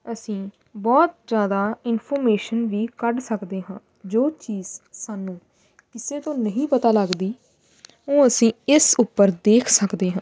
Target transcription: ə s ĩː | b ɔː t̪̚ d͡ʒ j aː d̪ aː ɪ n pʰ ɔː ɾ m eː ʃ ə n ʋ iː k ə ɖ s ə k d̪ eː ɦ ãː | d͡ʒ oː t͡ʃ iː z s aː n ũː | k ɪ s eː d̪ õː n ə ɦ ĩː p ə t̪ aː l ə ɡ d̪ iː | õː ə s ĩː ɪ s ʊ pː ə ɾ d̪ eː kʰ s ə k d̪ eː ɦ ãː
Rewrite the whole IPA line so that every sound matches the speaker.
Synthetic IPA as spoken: ə s ĩː | b ɔː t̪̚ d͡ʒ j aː d̪ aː ɪ n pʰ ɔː ɾ m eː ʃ ə n ʋ iː k ə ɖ s ə k d̪ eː ɦ ãː | d͡ʒ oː t͡ʃ iː z s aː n ũː | k ɪ s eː t̪ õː n ə ɦ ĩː p ə t̪ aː l ə ɡ d̪ iː | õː ə s ĩː ɪ s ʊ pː ə ɾ d̪ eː kʰ s ə k d̪ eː ɦ ãː